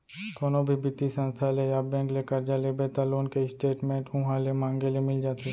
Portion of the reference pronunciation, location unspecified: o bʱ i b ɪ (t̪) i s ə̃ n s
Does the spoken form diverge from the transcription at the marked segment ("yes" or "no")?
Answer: no